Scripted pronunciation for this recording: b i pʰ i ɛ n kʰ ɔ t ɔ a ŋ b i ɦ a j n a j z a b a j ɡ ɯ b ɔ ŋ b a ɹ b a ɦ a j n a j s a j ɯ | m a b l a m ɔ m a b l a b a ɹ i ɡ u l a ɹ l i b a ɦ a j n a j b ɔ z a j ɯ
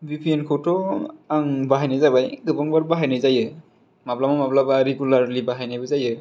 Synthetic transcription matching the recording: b i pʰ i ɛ n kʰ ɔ t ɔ a ŋ b a ɦ a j n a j z a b a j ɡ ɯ b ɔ ŋ b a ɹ b a ɦ a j n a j z a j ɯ | m a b l a m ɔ m a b l a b a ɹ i ɡ u l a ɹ l i b a ɦ a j n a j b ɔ z a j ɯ